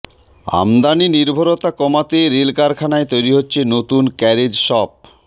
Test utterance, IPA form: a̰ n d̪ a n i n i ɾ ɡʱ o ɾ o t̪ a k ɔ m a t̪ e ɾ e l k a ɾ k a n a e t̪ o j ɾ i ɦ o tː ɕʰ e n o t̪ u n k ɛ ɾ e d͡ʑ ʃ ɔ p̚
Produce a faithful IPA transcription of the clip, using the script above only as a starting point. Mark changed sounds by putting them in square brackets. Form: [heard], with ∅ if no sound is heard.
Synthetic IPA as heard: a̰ [m] d̪ a n i n i ɾ [bʱ] o ɾ o t̪ a k ɔ m a t̪ e ɾ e l k a ɾ [kʰ] a n a e t̪ o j ɾ i ɦ o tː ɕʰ e n o t̪ u n k ɛ ɾ e d͡ʑ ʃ ɔ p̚